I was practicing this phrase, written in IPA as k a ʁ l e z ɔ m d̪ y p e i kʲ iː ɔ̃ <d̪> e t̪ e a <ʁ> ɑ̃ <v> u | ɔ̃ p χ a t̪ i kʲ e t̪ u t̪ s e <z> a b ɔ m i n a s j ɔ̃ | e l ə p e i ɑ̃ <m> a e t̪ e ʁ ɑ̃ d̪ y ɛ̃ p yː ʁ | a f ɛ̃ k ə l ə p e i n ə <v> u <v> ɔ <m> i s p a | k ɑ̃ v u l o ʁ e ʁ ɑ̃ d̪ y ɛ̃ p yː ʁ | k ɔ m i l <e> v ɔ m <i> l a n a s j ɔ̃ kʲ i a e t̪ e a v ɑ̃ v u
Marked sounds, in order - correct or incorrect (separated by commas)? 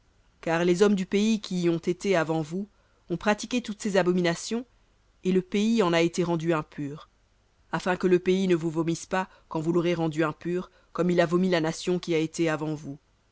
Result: incorrect, incorrect, correct, correct, incorrect, correct, correct, correct, incorrect, correct